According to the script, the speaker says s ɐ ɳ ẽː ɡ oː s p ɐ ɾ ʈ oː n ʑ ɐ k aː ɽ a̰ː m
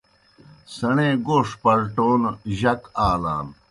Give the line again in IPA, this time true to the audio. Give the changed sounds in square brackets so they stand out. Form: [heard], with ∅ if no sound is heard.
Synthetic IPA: s ɐ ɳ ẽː ɡ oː [ʂ] p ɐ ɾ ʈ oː n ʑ ɐ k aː [l] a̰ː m